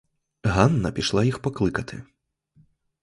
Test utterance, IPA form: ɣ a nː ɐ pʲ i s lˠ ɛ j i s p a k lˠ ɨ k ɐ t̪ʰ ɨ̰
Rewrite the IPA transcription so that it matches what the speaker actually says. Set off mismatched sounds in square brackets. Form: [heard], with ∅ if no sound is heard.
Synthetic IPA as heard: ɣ a nː ɐ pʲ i [ʂ] lˠ [a] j i [x] p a k lˠ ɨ k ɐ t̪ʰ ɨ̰